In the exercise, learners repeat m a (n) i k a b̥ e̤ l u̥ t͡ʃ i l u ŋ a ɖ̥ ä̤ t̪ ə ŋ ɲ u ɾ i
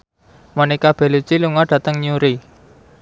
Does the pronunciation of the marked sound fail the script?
no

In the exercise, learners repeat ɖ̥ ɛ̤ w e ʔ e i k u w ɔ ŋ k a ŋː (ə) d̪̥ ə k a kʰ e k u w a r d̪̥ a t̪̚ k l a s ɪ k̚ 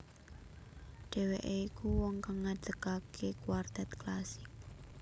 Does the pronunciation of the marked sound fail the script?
yes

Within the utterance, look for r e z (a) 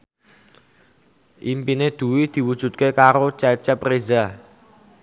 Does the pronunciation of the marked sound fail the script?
no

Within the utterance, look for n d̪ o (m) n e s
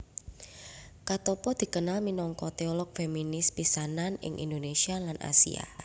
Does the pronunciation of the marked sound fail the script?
yes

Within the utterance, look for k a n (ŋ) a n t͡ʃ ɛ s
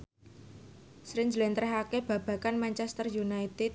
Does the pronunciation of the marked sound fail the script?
yes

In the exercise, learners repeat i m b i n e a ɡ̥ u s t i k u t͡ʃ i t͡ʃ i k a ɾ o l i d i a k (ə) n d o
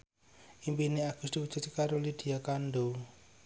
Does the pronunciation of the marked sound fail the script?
yes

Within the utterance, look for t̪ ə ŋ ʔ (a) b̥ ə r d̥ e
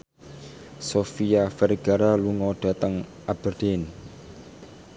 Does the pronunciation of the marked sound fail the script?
no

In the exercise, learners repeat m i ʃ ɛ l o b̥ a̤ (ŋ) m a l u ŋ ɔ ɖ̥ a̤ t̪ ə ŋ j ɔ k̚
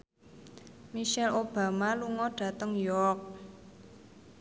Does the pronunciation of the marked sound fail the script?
yes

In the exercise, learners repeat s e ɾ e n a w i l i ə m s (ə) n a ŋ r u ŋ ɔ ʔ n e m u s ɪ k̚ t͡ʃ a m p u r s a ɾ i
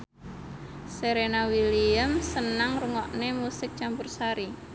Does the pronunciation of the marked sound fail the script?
no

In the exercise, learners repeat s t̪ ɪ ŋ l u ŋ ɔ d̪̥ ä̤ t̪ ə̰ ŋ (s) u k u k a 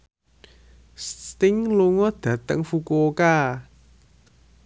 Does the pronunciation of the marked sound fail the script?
yes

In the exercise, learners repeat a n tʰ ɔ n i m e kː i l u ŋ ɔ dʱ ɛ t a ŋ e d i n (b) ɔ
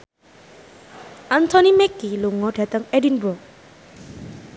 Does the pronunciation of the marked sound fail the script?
no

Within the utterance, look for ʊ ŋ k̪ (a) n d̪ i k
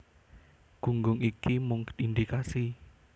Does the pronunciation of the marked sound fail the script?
yes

